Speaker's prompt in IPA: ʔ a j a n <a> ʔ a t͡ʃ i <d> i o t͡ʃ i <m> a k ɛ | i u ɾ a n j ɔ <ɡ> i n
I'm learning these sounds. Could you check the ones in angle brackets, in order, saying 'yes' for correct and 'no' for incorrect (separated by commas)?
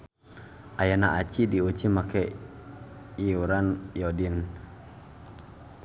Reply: yes, yes, yes, no